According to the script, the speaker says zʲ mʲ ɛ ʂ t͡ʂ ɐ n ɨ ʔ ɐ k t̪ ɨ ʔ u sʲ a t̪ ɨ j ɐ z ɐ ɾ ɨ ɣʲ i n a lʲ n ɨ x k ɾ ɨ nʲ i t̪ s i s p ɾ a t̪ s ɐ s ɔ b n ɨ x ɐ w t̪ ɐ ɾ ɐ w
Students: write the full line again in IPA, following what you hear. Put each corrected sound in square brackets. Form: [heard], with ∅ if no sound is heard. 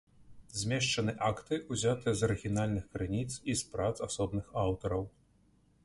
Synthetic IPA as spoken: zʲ mʲ ɛ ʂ t͡ʂ ɐ n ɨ ʔ [a] k t̪ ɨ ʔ u [zʲ] a t̪ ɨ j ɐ z ɐ ɾ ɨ ɣʲ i n a lʲ n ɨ x k ɾ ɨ nʲ i t̪ s i s p ɾ a t̪ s [a] s ɔ b n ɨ x [a] w t̪ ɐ ɾ ɐ w